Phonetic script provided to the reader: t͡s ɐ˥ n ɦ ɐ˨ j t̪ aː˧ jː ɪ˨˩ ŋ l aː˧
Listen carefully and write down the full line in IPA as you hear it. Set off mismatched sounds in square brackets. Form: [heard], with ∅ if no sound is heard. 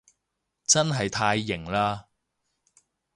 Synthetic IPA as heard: t͡s ɐ˥ n ɦ ɐ˨ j [t̪ʰ] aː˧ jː ɪ˨˩ ŋ l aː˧